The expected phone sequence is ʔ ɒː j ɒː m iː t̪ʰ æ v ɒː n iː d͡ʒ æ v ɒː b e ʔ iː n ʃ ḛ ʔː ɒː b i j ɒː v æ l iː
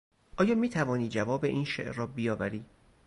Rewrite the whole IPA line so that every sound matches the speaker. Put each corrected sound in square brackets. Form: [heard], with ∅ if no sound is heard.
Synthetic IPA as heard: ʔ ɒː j ɒː m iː t̪ʰ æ v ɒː n iː d͡ʒ æ v ɒː b e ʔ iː n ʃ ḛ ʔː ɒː b i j ɒː v æ [ɾ] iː